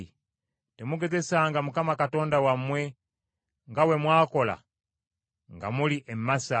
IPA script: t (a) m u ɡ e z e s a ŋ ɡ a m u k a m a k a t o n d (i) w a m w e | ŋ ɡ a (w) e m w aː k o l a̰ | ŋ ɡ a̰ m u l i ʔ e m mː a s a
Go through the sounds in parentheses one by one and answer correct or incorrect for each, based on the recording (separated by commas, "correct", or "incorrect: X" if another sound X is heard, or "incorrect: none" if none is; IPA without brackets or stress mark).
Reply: incorrect: e, incorrect: a, correct